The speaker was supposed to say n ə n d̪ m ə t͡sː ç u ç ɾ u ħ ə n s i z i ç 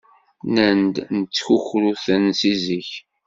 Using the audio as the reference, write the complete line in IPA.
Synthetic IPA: n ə n d̪ n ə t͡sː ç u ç ɾ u θ ə n s i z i ç